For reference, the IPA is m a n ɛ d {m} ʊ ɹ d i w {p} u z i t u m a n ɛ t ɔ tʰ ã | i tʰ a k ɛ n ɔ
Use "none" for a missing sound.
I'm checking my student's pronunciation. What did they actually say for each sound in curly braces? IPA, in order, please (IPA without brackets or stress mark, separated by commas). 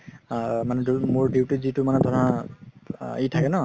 m, t